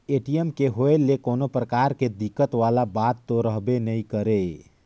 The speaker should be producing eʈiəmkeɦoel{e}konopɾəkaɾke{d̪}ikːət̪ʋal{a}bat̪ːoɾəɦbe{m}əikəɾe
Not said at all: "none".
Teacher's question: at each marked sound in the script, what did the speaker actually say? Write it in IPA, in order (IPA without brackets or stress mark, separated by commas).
e, d̪, a, n